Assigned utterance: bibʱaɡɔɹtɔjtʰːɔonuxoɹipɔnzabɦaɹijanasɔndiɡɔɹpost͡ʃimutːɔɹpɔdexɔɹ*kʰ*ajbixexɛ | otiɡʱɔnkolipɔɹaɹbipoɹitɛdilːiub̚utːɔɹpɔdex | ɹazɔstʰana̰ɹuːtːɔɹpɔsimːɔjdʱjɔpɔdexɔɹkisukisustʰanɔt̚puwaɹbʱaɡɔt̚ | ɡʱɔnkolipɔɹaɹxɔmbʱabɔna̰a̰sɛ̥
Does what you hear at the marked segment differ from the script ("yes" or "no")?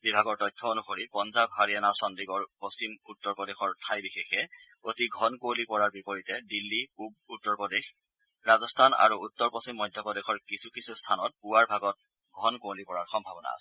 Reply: yes